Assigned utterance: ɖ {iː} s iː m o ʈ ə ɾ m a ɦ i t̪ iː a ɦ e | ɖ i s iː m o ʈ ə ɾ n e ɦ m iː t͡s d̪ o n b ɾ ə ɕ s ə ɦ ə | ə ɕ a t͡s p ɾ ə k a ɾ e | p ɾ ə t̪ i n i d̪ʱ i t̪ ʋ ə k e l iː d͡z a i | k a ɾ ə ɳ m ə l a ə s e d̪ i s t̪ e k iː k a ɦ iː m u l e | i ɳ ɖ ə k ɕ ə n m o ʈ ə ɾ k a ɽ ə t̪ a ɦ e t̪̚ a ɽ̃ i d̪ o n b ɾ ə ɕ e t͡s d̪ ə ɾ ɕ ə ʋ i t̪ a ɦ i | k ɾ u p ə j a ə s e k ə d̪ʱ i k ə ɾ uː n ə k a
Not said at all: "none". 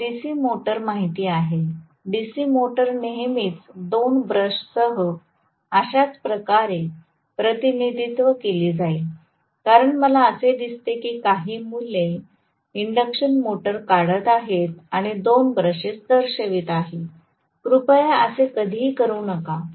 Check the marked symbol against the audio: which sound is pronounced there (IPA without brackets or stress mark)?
i